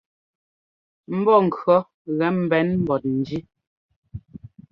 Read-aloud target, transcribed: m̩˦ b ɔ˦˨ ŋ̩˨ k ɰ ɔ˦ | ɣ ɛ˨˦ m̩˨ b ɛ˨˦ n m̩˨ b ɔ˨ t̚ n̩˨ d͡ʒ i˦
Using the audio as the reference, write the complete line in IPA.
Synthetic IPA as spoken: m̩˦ b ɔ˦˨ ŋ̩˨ k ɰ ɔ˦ | ɣ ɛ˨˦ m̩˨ b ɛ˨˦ n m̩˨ b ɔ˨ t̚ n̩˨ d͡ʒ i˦